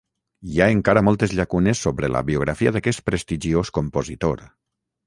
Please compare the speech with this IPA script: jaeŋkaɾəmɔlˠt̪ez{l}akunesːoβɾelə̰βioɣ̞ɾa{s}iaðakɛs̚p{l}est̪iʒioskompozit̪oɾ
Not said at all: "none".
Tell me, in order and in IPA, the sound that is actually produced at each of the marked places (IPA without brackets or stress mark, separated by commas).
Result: ʎ, f, ɾ